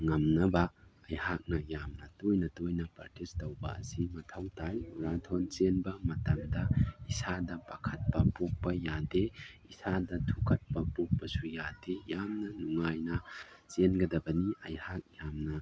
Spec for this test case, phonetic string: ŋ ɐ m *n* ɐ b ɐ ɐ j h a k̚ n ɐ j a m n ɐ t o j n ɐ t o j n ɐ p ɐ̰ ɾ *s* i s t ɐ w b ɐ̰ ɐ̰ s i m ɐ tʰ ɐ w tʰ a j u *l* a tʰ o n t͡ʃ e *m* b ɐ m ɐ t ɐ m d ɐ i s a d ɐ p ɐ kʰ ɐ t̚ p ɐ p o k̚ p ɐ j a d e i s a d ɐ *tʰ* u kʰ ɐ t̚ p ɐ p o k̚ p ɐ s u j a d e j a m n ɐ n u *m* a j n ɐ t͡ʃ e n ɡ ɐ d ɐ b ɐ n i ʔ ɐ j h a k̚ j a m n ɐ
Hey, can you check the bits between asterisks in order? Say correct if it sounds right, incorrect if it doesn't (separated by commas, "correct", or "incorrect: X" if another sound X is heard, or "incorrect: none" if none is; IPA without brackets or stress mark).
correct, incorrect: t, incorrect: ɾ, incorrect: n, correct, incorrect: ŋ